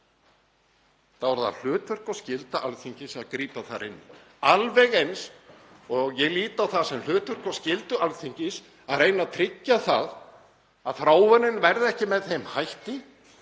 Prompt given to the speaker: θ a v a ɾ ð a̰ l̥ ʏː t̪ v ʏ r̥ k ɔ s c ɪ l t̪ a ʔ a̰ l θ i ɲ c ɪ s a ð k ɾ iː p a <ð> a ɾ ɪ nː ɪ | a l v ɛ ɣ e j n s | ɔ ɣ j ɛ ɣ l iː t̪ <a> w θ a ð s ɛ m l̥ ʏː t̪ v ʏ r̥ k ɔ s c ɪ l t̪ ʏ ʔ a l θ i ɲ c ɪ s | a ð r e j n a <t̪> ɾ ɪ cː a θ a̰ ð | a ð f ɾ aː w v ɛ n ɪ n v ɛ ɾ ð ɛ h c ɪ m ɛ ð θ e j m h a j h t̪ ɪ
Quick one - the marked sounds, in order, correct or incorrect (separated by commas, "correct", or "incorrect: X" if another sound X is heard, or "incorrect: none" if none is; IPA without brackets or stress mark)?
incorrect: θ, correct, incorrect: t̪ʰ